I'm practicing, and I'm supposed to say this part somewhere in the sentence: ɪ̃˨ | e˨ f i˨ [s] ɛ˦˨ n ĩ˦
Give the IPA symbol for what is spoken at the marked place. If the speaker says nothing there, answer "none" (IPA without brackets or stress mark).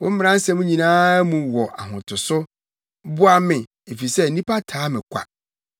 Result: s